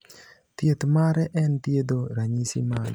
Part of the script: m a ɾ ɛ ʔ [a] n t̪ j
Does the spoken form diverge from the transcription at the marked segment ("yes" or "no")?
yes